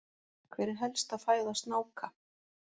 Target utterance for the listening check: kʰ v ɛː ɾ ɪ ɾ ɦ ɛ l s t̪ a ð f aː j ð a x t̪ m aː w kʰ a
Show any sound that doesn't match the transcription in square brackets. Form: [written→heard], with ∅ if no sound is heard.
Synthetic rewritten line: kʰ v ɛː ɾ ɪ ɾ ɦ ɛ l s t̪ a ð f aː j ð a [x→s] t̪ [m→n] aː w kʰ a